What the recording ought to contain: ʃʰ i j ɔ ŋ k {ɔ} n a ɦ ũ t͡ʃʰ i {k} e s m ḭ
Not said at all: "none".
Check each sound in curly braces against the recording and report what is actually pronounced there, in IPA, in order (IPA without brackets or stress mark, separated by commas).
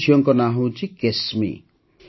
ɔ, k